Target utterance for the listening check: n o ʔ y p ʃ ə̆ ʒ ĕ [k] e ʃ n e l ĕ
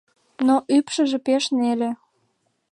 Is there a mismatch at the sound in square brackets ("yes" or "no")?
yes